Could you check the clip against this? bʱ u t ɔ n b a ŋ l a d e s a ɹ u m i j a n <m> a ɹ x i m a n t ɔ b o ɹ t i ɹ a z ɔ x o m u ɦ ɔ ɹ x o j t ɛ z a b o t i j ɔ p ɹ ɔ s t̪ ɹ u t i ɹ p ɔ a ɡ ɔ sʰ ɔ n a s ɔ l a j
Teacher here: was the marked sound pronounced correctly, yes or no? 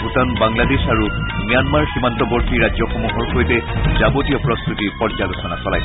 yes